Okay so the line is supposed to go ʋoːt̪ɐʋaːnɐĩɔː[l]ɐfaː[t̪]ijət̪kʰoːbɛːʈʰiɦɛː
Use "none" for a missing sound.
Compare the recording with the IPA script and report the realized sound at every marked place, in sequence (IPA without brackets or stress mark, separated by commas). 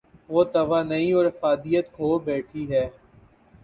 ɾ, d̪